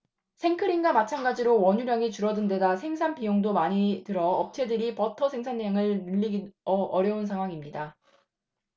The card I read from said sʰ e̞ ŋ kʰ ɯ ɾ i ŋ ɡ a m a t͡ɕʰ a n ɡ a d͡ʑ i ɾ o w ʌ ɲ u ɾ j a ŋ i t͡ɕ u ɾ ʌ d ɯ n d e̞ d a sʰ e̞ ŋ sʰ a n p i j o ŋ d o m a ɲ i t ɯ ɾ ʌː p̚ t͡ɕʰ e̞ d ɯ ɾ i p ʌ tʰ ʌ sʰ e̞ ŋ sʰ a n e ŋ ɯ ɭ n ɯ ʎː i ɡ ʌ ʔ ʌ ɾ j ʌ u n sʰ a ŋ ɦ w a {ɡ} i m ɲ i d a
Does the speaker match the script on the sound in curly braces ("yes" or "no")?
no